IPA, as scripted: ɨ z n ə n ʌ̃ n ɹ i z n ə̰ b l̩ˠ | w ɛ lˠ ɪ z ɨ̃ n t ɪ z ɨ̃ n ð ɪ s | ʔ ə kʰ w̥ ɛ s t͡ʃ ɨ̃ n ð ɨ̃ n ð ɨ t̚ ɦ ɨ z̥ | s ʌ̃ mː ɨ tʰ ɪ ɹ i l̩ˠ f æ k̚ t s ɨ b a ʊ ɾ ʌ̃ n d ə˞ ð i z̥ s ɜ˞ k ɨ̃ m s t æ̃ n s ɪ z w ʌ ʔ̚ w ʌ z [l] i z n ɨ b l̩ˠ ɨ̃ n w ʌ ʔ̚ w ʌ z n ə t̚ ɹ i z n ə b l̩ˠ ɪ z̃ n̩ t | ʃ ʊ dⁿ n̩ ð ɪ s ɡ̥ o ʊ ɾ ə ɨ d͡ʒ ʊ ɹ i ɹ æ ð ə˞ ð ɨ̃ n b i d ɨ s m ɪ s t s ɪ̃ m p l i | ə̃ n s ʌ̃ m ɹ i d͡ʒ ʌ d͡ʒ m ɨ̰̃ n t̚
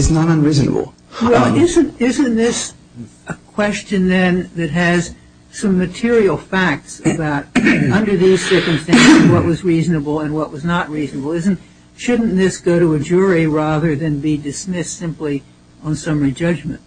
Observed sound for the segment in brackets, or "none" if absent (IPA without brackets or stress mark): ɹ